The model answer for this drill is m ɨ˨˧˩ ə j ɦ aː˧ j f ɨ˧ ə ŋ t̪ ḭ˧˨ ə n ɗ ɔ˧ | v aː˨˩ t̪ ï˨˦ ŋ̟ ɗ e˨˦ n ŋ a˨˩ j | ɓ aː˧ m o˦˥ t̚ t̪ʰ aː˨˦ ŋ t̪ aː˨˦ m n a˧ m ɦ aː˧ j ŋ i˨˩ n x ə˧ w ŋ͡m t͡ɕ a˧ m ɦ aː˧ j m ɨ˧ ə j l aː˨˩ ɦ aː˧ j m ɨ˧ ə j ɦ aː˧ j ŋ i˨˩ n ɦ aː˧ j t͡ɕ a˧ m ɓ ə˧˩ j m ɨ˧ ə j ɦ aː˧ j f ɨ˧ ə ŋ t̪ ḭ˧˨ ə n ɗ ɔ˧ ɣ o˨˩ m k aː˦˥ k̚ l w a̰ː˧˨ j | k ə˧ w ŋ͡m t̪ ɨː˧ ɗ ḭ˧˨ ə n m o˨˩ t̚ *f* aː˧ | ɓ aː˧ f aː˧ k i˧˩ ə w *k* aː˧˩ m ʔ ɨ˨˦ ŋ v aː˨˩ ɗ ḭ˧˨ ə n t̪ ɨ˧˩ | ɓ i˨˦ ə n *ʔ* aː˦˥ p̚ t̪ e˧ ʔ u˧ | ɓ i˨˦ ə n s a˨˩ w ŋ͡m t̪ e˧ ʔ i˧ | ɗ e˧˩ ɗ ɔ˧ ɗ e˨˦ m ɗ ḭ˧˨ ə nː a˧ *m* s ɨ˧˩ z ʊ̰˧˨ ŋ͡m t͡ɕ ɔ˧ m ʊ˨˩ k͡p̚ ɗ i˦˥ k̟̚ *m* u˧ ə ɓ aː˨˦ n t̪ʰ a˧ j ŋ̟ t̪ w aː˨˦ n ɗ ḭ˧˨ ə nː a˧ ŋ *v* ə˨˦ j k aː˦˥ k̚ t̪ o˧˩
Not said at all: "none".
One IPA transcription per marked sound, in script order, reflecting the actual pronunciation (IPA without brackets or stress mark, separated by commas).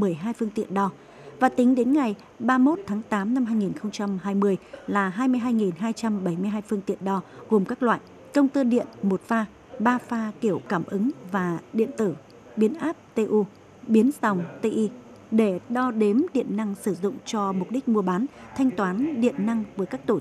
f, k, ʔ, ŋ, m, v